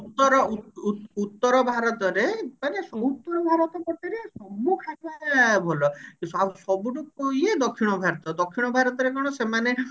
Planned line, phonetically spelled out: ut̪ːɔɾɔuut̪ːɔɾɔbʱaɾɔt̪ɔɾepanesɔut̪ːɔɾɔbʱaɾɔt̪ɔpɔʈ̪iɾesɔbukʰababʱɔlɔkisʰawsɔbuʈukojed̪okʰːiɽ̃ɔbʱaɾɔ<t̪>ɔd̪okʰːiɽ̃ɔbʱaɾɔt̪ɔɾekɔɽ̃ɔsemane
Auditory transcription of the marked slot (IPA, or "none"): t̪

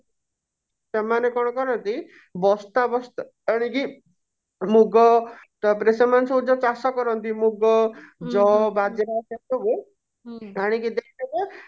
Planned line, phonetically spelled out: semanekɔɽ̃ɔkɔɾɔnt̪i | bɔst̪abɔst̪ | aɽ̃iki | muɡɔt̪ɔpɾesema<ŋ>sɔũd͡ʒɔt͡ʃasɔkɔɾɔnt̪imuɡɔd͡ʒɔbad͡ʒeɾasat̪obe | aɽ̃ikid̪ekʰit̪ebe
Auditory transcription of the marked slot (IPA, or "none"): n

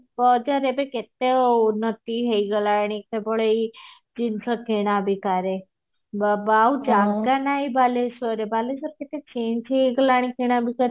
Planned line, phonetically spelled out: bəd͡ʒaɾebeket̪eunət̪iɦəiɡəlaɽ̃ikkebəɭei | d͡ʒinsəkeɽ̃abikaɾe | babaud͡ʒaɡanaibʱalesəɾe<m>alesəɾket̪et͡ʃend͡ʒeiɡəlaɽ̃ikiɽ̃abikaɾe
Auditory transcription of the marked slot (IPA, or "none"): b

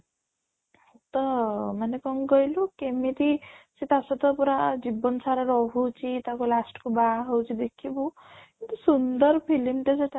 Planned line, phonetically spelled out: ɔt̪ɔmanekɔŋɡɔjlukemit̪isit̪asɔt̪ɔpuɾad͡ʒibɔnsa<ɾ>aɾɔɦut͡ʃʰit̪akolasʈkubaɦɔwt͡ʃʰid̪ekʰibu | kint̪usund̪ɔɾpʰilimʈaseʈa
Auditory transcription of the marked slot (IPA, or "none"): ɾ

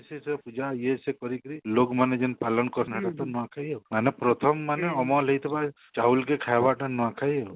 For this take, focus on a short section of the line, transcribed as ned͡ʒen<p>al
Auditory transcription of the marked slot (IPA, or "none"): p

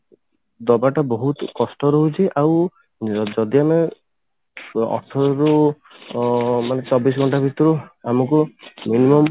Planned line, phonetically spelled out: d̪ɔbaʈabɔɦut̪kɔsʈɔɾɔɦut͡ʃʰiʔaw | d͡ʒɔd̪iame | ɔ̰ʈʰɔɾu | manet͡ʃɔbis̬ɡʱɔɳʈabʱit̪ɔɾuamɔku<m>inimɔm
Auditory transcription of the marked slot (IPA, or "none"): m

